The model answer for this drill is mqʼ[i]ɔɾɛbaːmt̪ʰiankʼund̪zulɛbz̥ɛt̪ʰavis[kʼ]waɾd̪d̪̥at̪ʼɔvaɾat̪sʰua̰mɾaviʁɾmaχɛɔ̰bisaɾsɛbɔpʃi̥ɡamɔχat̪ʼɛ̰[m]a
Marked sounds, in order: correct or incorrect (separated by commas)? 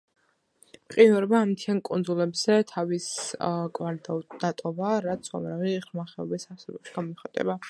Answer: correct, correct, incorrect